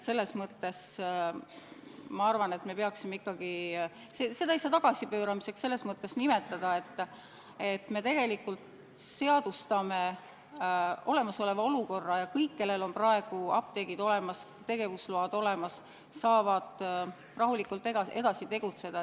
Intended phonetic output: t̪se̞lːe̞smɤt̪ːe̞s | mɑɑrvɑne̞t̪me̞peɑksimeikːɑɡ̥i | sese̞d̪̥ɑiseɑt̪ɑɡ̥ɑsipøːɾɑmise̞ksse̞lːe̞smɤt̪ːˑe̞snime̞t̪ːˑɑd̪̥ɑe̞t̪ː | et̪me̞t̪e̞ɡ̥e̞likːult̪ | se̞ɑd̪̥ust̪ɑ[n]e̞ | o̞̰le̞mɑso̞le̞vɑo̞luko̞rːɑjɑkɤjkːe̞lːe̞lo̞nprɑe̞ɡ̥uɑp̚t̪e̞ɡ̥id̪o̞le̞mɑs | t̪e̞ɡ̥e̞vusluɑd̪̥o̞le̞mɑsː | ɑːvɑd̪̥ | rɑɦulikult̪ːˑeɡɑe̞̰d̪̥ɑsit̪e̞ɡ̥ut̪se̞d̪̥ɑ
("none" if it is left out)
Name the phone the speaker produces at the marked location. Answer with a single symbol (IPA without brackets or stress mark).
m